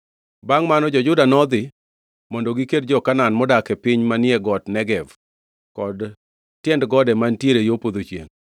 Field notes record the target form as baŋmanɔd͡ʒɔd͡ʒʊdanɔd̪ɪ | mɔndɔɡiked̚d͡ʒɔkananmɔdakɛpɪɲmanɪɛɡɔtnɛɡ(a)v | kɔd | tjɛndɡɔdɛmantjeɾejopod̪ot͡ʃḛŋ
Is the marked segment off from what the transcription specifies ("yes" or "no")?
yes